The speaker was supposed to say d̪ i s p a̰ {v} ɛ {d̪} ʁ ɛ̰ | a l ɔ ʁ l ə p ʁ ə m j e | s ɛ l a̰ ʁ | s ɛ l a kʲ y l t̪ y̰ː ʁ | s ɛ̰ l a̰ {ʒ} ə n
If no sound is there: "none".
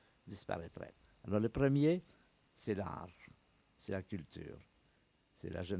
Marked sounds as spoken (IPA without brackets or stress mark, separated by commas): ʁ, t̪, ʒ